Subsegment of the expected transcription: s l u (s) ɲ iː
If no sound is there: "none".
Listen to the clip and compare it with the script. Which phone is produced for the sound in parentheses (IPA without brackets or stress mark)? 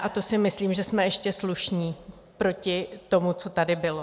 ʃ